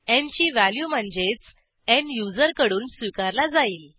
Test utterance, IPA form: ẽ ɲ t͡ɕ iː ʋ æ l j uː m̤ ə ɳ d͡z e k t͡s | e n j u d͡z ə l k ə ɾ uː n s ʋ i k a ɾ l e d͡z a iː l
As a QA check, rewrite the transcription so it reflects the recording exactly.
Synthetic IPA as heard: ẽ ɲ t͡ɕ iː ʋ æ l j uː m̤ ə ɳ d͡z e t͡s | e n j u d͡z ə ɾ k ə ɽ uː n s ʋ i k a ɾ l a d͡z a iː l

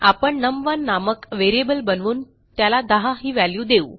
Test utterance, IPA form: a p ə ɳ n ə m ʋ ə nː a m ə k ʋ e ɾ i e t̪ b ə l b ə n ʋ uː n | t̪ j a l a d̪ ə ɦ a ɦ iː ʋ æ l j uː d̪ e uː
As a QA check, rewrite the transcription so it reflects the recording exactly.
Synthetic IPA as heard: a p ə ɳ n ə m ʋ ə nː a m ə k ʋ e ɾ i e b ə l b ə n ʋ uː n | t̪ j a l a d̪ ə ɦ a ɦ iː ʋ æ l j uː d̪ e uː

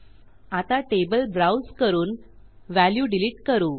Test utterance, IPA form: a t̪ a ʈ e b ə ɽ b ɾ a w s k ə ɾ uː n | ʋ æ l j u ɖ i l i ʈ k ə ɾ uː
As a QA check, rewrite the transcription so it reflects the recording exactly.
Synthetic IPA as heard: a t̪ a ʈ e b ə l b ɾ a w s k ə ɾ uː n | ʋ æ l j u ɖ i l i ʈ k ə ɾ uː

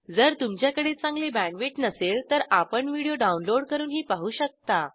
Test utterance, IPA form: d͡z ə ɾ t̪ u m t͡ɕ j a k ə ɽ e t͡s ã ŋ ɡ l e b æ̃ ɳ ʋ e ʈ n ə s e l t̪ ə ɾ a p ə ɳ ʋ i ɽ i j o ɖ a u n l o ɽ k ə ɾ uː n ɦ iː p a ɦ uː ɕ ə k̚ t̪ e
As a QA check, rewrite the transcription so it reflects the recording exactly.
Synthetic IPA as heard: d͡z ə ɾ t̪ u m t͡ɕ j a k ə ɽ e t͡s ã ŋ ɡ l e b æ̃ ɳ ʋ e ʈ n ə s e l t̪ ə ɾ a p ə ɳ ʋ i ɽ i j o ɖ a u n l o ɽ k ə ɾ uː n ɦ iː p a ɦ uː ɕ ə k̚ t̪ a

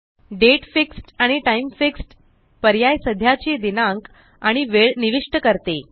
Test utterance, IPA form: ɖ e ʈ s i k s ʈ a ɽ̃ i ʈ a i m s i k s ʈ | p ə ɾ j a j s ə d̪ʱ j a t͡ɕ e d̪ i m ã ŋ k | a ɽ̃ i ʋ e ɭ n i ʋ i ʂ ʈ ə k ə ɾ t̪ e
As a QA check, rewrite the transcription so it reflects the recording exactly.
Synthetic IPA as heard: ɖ e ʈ f i k s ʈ a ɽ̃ i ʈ a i m f i k s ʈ | p ə ɾ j a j s ə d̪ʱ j a t͡ɕ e d̪ i n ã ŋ k | a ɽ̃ i ʋ e ɭ n i ʋ i ʂ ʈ ə k ə ɾ t̪ e

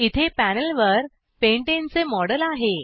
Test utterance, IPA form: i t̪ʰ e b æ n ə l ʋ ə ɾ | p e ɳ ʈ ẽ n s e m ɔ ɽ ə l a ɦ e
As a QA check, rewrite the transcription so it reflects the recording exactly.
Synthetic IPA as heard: i t̪ʰ e p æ n ə l ʋ ə ɾ | p e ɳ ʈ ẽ n t͡s e m ɔ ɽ ə l a ɦ e

